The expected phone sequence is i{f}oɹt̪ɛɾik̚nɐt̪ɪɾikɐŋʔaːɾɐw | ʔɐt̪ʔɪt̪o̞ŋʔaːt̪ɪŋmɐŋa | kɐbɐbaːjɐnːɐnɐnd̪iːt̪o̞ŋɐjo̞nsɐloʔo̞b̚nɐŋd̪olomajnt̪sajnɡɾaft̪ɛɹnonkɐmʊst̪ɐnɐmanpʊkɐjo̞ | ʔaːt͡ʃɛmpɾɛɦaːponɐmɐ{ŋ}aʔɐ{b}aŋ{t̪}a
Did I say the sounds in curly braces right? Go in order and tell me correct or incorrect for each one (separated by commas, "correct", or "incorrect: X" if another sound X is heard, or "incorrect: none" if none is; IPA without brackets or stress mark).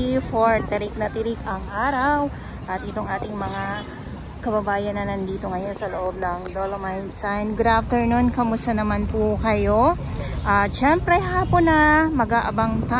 correct, incorrect: ɡ, correct, correct